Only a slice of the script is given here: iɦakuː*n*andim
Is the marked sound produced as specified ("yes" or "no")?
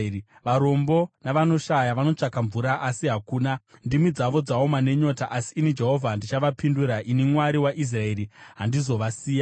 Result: yes